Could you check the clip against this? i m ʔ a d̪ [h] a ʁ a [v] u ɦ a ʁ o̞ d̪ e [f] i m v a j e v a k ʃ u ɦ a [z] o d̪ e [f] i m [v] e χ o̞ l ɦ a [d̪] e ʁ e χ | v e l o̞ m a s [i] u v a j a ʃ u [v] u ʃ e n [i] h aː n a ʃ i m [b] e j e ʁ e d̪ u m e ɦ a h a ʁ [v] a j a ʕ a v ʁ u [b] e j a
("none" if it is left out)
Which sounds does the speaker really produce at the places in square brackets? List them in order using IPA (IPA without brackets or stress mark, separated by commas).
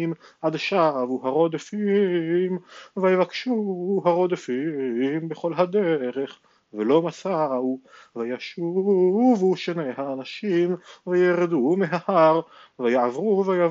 ʃ, v, f, ʁ, f, b, d̪, a, v, e, v, v, v